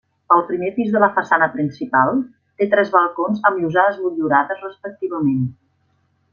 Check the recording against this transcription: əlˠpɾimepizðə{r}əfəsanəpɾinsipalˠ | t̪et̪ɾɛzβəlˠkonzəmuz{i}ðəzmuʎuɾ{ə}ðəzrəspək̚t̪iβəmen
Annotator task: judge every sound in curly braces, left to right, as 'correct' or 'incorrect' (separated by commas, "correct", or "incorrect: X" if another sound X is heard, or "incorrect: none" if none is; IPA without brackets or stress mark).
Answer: incorrect: l, incorrect: a, incorrect: a